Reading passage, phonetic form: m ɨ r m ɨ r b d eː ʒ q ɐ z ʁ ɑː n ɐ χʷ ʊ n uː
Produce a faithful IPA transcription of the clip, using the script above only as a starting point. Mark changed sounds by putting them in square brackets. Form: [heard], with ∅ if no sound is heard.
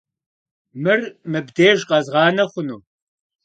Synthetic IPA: m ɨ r m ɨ [∅] b d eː ʒ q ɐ z ʁ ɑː n ɐ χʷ ʊ n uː

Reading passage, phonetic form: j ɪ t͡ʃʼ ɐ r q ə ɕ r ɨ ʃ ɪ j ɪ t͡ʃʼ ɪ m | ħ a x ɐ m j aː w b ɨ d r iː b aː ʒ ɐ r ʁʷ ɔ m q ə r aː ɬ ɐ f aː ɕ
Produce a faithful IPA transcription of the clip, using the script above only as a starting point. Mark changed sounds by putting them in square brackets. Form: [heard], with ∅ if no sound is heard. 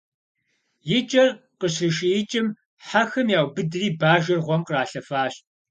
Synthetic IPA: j ɪ t͡ʃʼ ɐ r q ə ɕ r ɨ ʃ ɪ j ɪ t͡ʃʼ ɪ m | ħ a x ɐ m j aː w b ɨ d r iː b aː ʒ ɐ r ʁʷ ɔ m q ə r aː ɬ ɐ f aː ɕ

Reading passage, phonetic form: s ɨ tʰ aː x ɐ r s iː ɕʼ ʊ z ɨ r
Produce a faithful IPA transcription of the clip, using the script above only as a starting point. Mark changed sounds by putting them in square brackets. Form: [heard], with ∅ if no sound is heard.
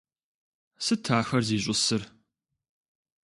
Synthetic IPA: s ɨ tʰ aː x ɐ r [z] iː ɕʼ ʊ [s] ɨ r

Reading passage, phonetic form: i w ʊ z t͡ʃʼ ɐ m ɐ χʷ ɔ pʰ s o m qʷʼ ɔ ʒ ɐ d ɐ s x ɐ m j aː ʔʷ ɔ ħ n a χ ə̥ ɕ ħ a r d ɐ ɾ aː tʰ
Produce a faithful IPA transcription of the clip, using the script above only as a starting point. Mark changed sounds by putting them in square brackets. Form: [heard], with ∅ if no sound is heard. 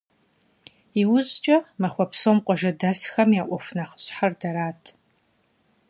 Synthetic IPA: i w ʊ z t͡ʃʼ ɐ m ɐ χʷ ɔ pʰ s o m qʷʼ ɔ ʒ ɐ d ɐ s x ɐ m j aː ʔʷ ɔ [f] n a χ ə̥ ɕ ħ a r d ɐ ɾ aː tʰ

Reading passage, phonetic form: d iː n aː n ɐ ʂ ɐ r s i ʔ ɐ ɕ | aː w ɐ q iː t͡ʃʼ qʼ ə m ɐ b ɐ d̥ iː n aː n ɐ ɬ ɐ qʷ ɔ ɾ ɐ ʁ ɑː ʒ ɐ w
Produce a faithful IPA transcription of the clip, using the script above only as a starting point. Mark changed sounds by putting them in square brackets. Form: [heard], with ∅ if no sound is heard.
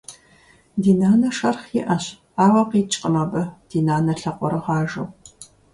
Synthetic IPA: d iː n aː n ɐ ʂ ɐ r [χ] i ʔ ɐ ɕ | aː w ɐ q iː t͡ʃʼ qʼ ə m ɐ b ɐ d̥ iː n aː n ɐ ɬ ɐ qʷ ɔ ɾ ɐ ʁ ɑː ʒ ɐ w

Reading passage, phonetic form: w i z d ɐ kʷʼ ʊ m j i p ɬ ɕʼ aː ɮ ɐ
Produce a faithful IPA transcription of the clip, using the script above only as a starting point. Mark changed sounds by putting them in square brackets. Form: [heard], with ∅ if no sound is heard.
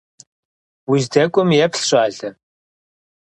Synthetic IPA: w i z d ɐ kʷʼ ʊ m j [ɛ] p ɬ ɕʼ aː ɮ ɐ

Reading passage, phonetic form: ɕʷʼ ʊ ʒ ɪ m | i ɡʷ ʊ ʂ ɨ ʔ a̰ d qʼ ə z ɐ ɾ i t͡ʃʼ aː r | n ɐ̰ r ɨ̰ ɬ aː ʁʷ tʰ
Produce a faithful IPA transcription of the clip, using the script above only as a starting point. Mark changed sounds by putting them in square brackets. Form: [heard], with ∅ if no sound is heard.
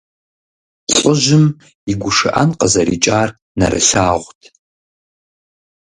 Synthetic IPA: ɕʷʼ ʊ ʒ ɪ m | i ɡʷ ʊ ʂ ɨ ʔ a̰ [n] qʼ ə z ɐ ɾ i t͡ʃʼ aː r | n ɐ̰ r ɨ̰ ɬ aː ʁʷ tʰ

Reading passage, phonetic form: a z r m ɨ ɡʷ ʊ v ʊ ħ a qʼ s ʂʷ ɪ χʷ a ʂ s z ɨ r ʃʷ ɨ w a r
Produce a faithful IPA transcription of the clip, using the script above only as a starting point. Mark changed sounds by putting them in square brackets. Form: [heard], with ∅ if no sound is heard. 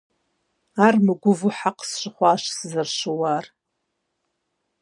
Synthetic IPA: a [∅] r m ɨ ɡʷ ʊ v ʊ ħ a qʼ s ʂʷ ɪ χʷ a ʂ s z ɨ r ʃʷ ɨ w a r

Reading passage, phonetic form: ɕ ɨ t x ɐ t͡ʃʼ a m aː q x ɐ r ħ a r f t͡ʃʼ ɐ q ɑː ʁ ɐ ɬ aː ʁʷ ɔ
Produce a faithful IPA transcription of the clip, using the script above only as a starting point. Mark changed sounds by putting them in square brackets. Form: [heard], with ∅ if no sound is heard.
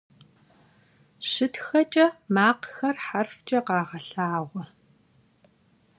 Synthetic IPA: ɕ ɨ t x ɐ t͡ʃʼ [ɐ] m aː q x ɐ r ħ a r f t͡ʃʼ ɐ q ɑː ʁ ɐ ɬ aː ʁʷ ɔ

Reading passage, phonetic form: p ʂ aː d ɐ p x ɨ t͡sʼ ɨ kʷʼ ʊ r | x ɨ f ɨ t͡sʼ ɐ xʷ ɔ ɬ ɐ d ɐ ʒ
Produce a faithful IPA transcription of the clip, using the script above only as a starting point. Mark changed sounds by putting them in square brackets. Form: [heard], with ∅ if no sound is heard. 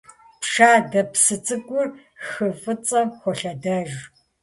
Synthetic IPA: p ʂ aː d ɐ p [s] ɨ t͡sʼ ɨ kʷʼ ʊ r | x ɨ f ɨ t͡sʼ ɐ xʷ ɔ ɬ ɐ d ɐ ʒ

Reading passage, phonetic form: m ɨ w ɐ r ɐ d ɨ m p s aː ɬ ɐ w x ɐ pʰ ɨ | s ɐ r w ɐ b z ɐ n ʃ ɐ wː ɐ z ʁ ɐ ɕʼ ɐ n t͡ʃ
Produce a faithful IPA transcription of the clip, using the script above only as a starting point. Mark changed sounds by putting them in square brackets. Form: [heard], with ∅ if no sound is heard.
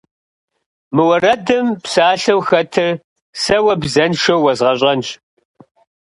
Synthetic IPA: m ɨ w ɐ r ɐ d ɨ m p s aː ɬ ɐ w x ɐ [tʰ] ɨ | s ɐ [∅] w ɐ b z ɐ n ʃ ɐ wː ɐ z ʁ ɐ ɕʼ ɐ n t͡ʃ

